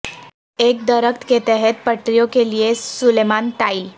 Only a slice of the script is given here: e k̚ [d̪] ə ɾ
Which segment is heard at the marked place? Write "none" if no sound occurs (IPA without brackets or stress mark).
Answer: d̪